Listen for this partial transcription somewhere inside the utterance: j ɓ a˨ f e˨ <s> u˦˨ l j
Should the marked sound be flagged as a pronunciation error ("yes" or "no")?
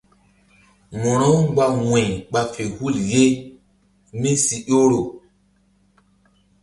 yes